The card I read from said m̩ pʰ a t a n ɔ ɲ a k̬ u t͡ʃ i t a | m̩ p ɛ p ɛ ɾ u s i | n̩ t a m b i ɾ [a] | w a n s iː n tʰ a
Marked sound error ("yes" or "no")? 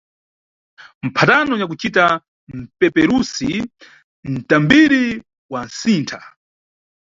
yes